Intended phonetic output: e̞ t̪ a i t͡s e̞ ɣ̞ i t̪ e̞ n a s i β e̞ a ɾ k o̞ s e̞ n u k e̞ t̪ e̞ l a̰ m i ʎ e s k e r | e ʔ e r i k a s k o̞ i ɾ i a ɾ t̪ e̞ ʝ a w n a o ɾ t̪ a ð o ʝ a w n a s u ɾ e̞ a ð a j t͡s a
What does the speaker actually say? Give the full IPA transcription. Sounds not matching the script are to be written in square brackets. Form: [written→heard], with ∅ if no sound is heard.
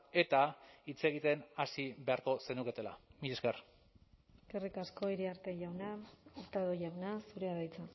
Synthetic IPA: e̞ t̪ a i t͡s e̞ ɣ̞ i t̪ e̞ n a s i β e̞ a ɾ k o̞ s e̞ n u k e̞ t̪ e̞ l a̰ m i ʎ e s k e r | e [ʔ→k] e r i k a s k o̞ i ɾ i a ɾ t̪ e̞ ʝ a w n a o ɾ t̪ a ð o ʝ a w n a s u ɾ e̞ a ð a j t͡s a